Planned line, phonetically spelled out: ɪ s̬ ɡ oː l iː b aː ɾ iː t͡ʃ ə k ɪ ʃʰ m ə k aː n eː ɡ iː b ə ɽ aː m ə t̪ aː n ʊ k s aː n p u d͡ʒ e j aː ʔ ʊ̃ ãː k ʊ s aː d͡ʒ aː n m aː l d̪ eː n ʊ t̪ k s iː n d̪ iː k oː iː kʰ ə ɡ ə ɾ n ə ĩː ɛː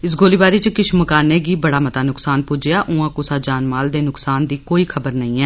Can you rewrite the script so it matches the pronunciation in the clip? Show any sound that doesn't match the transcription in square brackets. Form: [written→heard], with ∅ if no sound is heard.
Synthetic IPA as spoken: ɪ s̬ ɡ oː l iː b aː ɾ iː t͡ʃ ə k ɪ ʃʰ m ə k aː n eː ɡ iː b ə ɽ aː m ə t̪ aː n ʊ k s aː n p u d͡ʒ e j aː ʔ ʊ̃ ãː k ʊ s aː d͡ʒ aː n m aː l d̪ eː n ʊ [t̪→∅] k s [iː→aː] n d̪ iː k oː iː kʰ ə [ɡ→b] ə ɾ n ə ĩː ɛː